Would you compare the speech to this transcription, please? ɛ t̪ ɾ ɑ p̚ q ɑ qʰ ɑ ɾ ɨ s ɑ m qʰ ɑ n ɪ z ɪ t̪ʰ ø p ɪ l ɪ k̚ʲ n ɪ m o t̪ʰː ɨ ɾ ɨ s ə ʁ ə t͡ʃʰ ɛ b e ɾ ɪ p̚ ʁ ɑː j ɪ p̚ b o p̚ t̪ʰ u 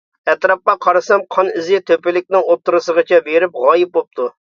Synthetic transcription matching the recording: ɛ t̪ ɾ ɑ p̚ q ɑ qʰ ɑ ɾ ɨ s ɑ m qʰ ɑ n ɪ z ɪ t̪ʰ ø p ɪ l ɪ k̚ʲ n ɪ ŋ o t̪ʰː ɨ ɾ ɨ s ə ʁ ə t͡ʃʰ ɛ b e ɾ ɪ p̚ ʁ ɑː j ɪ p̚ b o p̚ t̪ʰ u